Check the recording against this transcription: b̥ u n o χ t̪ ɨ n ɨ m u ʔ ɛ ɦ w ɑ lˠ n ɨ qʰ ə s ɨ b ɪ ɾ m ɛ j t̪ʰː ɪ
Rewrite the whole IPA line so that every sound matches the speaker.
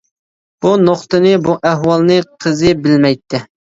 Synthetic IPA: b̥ u n o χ t̪ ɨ n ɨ b u ʔ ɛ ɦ w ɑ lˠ n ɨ qʰ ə z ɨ b ɪ l m ɛ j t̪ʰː ɪ